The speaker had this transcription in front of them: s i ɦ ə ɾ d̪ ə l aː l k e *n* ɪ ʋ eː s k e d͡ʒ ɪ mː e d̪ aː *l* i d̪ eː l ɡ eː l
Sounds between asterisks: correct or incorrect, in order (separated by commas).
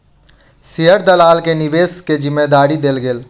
correct, incorrect